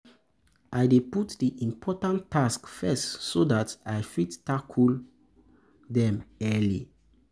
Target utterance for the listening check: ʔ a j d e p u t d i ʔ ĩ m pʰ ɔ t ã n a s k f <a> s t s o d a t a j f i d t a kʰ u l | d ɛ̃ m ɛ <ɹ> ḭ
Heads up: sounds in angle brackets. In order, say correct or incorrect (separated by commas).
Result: incorrect, incorrect